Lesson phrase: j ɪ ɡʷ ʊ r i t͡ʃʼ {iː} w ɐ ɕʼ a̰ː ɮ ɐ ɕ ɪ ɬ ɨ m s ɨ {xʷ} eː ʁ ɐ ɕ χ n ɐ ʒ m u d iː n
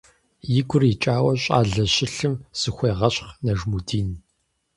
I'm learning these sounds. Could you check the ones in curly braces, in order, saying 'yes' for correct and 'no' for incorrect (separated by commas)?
no, yes